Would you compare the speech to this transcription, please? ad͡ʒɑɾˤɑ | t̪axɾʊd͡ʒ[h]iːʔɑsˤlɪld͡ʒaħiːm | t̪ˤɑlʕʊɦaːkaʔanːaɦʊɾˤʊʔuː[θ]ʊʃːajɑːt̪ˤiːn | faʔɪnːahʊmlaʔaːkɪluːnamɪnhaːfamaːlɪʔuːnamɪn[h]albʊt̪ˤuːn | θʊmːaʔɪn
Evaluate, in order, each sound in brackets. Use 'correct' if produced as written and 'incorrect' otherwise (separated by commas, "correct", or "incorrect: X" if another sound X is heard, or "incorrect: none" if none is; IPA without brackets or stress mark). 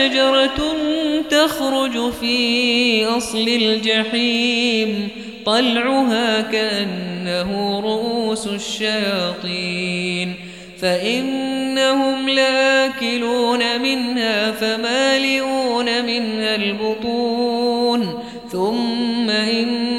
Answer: incorrect: f, incorrect: s, correct